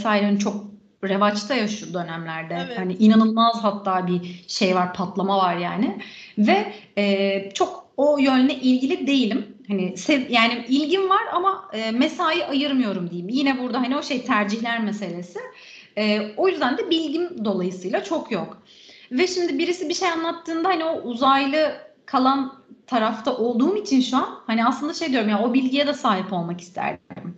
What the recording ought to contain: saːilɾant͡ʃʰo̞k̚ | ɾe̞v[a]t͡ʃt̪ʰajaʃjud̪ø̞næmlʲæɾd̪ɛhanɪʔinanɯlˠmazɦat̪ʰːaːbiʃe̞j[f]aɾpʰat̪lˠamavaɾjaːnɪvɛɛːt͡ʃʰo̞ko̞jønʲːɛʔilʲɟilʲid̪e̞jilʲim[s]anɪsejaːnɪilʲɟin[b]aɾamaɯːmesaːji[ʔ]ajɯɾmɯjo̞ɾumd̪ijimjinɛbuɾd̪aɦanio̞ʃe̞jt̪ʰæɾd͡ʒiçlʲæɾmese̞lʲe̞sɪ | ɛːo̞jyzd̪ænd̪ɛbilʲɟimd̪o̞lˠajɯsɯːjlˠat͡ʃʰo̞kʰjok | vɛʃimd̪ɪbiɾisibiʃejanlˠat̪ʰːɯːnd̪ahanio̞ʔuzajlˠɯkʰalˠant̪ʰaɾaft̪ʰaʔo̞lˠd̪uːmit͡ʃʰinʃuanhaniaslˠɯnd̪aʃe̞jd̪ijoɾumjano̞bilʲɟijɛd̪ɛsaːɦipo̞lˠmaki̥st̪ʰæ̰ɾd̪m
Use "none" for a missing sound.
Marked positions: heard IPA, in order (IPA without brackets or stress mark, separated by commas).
a, v, h, v, ʔ